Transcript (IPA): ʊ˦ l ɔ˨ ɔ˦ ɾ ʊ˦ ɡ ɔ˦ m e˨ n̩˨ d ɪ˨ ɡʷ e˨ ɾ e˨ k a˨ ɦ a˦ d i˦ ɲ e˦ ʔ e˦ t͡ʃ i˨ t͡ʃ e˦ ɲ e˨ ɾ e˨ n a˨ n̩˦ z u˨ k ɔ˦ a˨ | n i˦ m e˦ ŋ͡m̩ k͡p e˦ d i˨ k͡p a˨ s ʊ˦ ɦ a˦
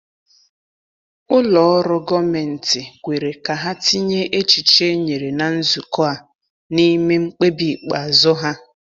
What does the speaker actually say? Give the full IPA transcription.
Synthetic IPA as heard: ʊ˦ l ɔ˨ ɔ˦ ɾ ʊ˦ ɡ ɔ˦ m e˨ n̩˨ t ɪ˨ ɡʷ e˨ ɾ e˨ k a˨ ɦ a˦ t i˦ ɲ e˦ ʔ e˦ t͡ʃ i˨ t͡ʃ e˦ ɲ e˨ ɾ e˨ n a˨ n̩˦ z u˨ k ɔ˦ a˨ | n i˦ m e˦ ŋ͡m̩ k͡p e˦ b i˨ k͡p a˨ z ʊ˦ ɦ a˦

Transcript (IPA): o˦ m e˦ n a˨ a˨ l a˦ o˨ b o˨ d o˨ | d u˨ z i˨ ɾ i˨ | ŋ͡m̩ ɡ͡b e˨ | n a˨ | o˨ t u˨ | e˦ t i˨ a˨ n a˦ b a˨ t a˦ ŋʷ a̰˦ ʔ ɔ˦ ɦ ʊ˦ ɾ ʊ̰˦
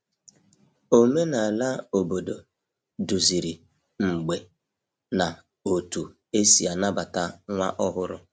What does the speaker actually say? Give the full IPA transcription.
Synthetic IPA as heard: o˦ m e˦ n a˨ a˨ l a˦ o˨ b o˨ d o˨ | d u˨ z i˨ ɾ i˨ | ŋ͡m̩ ɡ͡b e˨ | n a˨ | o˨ t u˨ | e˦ s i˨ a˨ n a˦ b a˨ t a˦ ŋʷ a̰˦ ʔ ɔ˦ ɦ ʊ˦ ɾ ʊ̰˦

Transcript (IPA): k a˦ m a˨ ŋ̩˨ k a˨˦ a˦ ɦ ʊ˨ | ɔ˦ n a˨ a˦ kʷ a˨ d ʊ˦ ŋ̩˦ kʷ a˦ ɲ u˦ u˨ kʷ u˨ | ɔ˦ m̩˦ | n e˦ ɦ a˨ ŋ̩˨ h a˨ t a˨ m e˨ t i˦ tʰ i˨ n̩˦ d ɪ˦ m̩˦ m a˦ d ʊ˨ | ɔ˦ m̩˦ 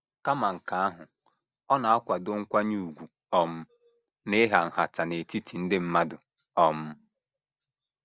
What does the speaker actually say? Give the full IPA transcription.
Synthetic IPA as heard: k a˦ m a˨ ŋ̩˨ k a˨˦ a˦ ɦ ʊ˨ | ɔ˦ n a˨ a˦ kʷ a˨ d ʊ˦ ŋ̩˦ kʷ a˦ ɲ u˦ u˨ ɡʷ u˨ | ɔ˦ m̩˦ | n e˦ ɦ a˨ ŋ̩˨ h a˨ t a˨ n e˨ t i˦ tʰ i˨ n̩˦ d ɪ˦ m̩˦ m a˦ d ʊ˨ | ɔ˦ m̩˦

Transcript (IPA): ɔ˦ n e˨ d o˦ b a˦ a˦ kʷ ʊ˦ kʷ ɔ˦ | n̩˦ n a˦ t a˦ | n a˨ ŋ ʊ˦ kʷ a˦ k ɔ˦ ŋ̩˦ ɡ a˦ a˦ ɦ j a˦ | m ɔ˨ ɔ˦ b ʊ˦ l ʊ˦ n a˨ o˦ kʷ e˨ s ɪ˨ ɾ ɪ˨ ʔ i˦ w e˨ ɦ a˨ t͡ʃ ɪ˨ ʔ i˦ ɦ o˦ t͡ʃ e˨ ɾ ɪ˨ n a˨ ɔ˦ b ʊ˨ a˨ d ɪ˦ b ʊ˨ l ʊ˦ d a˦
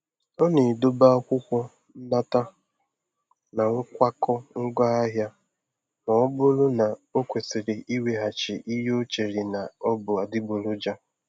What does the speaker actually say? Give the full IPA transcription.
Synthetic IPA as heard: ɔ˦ n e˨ d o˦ b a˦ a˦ kʷ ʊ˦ kʷ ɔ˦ | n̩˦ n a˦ t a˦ | n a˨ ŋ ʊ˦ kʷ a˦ k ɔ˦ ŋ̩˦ ɡ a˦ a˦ ɦ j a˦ | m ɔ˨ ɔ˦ b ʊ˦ l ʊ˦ n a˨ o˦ kʷ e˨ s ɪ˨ ɾ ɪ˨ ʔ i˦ w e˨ ɦ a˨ t͡ʃ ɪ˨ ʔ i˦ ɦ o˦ t͡ʃ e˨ ɾ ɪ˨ n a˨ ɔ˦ b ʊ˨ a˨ d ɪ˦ b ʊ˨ l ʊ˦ d͡ʒ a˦

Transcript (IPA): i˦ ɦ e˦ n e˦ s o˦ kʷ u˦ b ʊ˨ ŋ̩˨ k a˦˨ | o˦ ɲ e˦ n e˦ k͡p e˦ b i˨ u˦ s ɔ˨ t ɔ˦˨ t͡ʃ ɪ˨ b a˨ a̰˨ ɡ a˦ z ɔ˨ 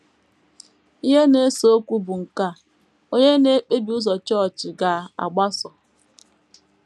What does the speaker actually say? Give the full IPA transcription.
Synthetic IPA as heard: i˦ ɦ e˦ n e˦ s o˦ kʷ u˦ b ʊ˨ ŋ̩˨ k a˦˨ | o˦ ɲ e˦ n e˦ k͡p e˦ b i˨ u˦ z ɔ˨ t͡ʃ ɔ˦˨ t͡ʃ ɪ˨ ɡ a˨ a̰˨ ɡ͡b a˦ s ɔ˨

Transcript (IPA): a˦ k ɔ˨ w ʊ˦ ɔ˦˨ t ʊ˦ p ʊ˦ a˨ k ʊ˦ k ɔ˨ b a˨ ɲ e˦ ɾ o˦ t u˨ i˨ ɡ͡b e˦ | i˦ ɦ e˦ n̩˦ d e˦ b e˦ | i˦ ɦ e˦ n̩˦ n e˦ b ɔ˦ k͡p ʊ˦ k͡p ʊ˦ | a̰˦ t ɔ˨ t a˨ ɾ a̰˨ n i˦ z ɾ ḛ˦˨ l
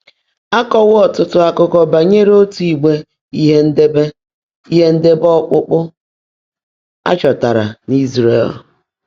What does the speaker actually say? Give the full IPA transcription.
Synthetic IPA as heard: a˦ k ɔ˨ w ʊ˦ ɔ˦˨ t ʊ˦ t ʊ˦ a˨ k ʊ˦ k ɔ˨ b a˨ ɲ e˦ ɾ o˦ t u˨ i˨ ɡ͡b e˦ | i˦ ɦ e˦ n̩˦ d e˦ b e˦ | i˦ ɦ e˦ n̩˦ d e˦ b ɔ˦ k͡p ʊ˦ k͡p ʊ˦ | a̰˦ t͡ʃ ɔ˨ t a˨ ɾ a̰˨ n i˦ z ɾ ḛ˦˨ l

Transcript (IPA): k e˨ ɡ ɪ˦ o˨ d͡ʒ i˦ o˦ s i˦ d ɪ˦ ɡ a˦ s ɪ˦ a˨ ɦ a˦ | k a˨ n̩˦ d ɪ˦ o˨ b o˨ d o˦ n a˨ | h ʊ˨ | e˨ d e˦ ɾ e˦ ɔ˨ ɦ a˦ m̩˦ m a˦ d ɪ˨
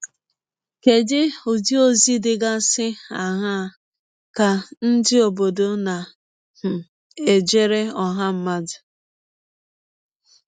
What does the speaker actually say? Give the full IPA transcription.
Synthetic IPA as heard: k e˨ d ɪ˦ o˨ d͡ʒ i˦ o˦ z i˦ d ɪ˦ ɡ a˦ s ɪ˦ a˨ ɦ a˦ | k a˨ n̩˦ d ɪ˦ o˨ b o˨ d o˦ n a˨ | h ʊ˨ | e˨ d͡ʒ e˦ ɾ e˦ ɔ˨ ɦ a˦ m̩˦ m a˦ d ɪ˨

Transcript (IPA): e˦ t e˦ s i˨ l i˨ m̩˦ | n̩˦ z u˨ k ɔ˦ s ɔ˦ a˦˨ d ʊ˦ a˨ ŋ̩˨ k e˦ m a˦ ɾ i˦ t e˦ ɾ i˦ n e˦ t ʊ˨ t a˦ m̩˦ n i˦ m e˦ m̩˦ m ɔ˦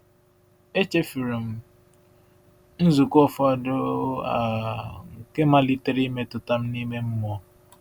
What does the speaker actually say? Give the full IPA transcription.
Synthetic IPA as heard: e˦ t͡ʃ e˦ f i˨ ɾ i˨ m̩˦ | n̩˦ z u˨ k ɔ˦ f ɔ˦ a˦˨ d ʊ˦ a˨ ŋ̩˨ k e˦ m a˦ l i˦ t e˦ ɾ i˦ m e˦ t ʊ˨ t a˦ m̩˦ n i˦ m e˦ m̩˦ m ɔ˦

